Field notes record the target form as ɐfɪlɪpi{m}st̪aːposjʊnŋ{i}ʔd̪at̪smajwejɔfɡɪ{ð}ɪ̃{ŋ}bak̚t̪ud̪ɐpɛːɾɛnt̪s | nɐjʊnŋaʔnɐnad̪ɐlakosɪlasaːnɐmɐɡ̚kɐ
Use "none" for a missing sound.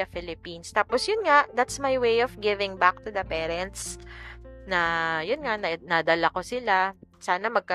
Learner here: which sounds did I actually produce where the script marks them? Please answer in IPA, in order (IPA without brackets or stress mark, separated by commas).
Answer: n, a, v, ŋ